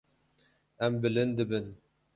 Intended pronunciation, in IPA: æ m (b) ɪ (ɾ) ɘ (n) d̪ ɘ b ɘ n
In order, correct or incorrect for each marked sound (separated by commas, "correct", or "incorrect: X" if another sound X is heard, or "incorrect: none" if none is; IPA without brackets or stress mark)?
correct, incorrect: l, correct